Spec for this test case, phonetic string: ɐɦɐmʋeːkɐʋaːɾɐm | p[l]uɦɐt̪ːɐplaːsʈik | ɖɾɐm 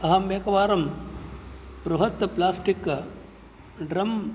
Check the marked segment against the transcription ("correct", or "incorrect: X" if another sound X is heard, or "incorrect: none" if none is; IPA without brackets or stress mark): incorrect: ɾ